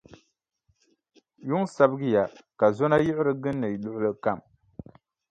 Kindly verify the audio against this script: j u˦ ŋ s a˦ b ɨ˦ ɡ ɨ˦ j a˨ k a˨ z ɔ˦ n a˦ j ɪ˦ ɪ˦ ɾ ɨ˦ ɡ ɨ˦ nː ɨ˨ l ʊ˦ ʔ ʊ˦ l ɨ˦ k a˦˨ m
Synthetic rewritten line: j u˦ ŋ s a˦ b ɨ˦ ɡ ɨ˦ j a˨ k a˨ z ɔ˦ n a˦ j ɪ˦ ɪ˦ ɾ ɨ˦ ɡ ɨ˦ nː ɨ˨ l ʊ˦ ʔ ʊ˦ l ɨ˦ k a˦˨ m